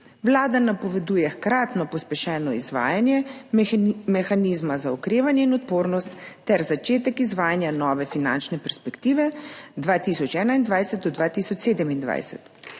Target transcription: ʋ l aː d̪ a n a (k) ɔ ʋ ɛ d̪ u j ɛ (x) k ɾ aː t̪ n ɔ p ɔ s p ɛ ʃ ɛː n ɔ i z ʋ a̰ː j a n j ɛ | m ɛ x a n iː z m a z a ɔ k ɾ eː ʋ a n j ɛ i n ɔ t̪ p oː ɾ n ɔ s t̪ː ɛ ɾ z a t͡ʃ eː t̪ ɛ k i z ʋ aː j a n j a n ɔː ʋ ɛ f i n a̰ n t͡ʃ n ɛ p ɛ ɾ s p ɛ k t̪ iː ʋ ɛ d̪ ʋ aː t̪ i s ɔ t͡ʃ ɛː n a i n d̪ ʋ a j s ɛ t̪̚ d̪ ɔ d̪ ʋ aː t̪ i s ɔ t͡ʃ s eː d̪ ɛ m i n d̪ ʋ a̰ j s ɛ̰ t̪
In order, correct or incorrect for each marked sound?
incorrect: p, correct

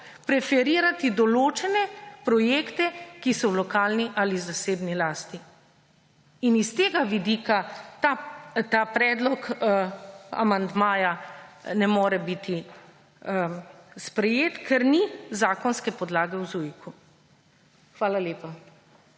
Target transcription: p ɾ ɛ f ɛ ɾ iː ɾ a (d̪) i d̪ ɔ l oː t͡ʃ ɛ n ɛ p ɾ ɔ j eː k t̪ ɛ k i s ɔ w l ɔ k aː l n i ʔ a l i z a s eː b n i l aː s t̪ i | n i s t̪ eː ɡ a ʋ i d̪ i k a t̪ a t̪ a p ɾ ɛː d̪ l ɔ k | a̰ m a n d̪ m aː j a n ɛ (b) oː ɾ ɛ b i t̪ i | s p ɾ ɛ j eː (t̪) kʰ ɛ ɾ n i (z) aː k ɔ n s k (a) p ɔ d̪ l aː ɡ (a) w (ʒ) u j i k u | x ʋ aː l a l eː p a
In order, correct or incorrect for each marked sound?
incorrect: t̪, incorrect: m, correct, correct, incorrect: ɛ, incorrect: ɛ, incorrect: z

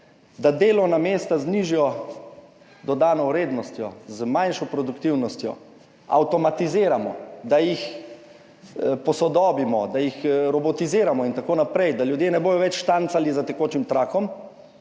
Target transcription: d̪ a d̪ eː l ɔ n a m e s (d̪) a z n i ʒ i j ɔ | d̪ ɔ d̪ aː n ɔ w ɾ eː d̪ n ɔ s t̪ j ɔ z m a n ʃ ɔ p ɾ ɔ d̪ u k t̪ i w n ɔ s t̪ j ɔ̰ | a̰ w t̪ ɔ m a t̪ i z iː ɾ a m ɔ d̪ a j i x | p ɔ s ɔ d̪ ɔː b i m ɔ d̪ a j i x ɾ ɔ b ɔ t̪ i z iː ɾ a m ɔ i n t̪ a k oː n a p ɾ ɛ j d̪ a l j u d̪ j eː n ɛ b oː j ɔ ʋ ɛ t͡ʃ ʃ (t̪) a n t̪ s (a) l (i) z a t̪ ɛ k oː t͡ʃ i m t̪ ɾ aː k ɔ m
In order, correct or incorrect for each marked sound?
incorrect: t̪, correct, correct, correct

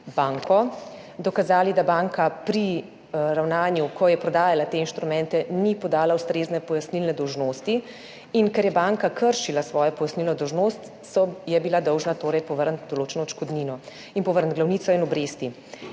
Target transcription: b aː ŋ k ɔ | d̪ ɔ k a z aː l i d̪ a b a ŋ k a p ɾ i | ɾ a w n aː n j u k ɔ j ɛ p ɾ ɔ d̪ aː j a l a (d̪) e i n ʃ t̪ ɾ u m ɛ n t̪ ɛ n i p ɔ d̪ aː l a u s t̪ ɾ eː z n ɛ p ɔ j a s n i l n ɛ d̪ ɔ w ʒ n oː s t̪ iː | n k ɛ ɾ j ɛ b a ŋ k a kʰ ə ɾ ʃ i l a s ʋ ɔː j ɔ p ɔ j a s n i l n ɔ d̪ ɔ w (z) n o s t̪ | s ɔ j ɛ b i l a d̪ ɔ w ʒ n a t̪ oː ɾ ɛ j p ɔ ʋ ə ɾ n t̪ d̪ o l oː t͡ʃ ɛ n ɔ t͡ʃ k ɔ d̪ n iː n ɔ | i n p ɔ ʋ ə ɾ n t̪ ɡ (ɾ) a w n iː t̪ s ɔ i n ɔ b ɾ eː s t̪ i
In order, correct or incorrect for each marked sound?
incorrect: t̪, incorrect: ʒ, incorrect: l

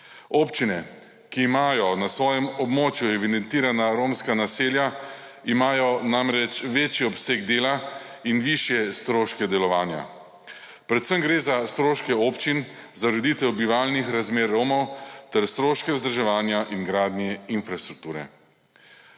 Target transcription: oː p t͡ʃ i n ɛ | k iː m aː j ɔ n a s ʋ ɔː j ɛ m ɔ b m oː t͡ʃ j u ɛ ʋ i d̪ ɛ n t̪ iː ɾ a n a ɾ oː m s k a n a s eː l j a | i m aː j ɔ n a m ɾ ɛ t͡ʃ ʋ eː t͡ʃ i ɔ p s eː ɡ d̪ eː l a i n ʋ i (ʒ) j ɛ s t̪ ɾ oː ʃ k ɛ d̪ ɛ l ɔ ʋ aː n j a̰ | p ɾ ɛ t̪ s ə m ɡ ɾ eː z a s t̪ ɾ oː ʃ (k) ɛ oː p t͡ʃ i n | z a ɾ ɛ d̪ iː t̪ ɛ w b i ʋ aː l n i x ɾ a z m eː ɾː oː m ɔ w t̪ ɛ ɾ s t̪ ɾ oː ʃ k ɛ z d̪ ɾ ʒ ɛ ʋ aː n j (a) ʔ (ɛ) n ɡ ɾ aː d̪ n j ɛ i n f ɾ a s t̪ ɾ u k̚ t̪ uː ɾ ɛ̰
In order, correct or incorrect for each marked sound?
incorrect: ʃ, correct, correct, incorrect: i

